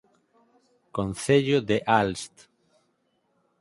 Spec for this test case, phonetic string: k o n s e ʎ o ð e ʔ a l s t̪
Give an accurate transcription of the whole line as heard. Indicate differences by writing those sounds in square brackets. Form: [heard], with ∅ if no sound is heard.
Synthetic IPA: k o n [θ] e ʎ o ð e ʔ a l s t̪

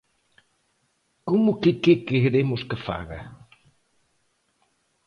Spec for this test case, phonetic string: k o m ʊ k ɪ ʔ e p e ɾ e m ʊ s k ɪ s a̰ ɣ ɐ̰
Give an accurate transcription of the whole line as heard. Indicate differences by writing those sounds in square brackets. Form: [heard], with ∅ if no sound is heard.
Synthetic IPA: k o m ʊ k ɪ [k] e [k] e ɾ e m ʊ s k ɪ [f] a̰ ɣ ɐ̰

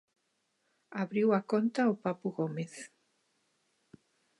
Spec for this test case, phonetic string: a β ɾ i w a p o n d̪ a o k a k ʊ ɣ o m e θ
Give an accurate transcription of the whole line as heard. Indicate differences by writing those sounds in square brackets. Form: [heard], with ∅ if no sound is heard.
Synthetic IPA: a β ɾ i w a [k] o n [t̪] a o [p] a [p] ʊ ɣ o m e θ

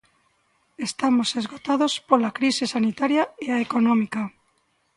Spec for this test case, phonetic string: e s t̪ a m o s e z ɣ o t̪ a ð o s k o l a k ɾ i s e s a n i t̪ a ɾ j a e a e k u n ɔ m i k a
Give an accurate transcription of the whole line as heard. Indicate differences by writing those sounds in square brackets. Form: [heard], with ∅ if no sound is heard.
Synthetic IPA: e s t̪ a m o s e z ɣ o t̪ a ð o s [p] o l a k ɾ i s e s a n i t̪ a ɾ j a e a e k [o] n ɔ m i k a

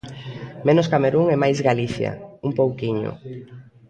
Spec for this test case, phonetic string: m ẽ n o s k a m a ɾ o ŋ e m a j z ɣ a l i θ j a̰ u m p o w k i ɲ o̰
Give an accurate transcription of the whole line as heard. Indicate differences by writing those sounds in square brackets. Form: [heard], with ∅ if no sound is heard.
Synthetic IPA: m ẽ n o s k a m [e] ɾ [u] ŋ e m a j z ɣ a l i θ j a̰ u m p o w k i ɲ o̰

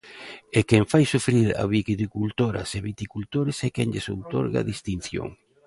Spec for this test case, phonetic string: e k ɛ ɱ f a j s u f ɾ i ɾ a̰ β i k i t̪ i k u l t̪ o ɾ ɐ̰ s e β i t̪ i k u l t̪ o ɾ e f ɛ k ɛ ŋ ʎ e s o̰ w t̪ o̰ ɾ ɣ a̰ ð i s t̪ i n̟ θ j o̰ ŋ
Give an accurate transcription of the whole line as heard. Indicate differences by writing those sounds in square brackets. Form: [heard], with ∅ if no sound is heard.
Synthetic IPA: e k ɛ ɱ f a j s u f ɾ i ɾ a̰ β i k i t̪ i k u l t̪ o ɾ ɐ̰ s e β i t̪ i k u l t̪ o ɾ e [s] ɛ k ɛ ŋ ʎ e s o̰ w t̪ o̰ ɾ ɣ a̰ ð i s t̪ i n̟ θ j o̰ ŋ

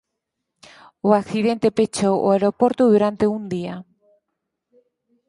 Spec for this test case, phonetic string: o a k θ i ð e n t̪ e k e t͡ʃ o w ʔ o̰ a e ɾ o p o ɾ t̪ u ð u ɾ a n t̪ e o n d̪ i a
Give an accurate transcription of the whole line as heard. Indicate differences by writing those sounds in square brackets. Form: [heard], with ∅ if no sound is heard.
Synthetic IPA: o a k θ i ð e n t̪ e [p] e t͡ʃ o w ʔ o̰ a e ɾ o p o ɾ t̪ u ð u ɾ a n t̪ e [u] n d̪ i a

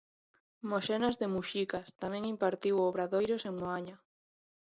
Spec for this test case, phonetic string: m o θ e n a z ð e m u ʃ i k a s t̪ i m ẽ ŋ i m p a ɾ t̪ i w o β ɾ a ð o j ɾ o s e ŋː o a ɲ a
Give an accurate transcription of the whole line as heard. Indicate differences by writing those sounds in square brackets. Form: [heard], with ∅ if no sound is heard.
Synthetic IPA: m o [ʃ] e n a z ð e m u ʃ i k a s t̪ [a] m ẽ ŋ i m p a ɾ t̪ i w o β ɾ a ð o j ɾ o s e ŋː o a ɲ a

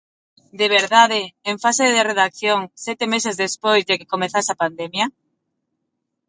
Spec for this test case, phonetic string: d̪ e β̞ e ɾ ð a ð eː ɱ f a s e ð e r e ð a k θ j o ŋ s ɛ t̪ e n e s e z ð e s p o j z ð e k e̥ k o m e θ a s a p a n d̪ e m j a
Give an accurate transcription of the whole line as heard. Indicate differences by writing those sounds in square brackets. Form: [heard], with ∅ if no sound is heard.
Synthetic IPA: d̪ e β̞ e ɾ ð a ð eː ɱ f a s e ð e r e ð a k θ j o ŋ s ɛ t̪ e [m] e s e z ð e s p o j z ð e k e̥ k o m e θ a s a p a n d̪ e m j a

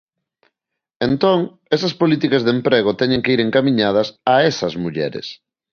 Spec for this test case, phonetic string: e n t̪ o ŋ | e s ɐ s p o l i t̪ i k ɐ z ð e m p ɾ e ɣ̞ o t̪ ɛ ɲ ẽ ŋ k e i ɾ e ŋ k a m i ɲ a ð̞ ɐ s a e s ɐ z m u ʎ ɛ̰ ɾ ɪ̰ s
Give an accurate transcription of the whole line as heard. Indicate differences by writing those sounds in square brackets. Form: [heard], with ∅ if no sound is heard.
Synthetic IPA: e n t̪ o ŋ | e s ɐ s p o l i t̪ i k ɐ z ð e m p ɾ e ɣ̞ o t̪ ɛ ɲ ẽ ŋ k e i ɾ e ŋ k a m i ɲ a ð̞ ɐ s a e s ɐ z m u ʎ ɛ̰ ɾ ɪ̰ s

